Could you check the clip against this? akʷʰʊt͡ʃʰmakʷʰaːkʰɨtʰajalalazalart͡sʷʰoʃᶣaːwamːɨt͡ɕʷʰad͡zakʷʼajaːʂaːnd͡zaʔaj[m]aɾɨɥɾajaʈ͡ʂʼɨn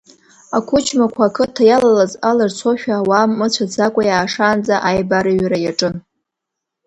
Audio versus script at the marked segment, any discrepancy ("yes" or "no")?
yes